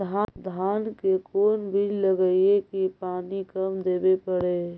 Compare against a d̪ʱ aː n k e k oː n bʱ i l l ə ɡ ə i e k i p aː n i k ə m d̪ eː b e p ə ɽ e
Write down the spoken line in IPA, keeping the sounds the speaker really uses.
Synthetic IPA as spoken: a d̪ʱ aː n k e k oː n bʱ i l l ə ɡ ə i e k i p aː n i k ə m d̪ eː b e p ə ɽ e